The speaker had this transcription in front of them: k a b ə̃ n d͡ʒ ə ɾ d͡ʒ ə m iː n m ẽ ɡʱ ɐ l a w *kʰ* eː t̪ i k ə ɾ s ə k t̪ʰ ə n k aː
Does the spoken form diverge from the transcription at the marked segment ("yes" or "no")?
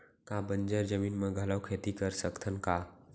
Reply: no